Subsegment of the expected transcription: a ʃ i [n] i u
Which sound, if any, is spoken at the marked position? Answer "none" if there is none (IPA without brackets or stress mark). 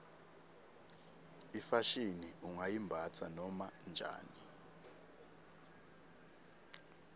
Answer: n